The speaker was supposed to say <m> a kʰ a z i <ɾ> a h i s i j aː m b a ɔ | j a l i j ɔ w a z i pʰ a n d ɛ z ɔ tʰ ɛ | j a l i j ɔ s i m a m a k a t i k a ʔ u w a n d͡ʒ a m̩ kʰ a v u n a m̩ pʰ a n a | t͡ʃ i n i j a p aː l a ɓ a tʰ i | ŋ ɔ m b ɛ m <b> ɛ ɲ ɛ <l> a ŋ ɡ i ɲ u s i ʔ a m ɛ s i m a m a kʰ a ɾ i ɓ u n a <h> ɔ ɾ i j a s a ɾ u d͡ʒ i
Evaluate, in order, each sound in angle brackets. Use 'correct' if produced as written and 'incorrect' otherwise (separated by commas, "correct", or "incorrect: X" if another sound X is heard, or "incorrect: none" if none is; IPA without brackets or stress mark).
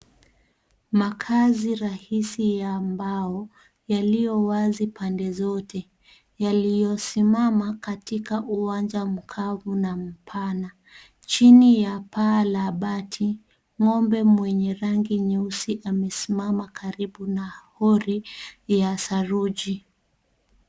correct, correct, incorrect: w, incorrect: ɾ, correct